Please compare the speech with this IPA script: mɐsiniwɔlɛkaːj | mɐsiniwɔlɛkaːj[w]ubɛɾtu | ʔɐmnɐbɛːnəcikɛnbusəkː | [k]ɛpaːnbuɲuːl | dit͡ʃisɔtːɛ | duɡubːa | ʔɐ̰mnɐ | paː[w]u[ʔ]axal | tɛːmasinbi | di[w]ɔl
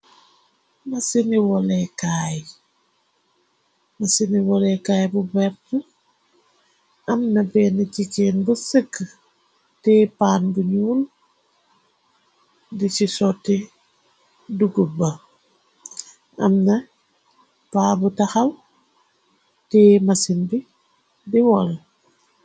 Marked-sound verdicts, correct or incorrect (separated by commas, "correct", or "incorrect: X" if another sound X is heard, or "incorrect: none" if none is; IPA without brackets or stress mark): incorrect: b, incorrect: t, incorrect: b, incorrect: t, correct